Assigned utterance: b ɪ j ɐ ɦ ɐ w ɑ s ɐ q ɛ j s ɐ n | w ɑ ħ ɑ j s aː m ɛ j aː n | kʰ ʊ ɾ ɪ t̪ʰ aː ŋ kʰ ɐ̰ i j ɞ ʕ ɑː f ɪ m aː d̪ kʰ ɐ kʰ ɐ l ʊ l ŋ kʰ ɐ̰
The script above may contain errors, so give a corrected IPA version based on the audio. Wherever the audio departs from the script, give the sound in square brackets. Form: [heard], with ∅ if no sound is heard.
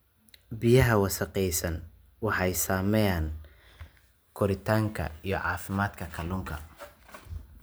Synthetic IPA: b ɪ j ɐ ɦ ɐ w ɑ s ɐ q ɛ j s ɐ n | w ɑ ħ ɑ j s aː m ɛ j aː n | kʰ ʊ ɾ ɪ t̪ʰ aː ŋ kʰ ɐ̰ i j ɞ ʕ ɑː f ɪ m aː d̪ kʰ ɐ kʰ ɐ l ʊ [∅] ŋ kʰ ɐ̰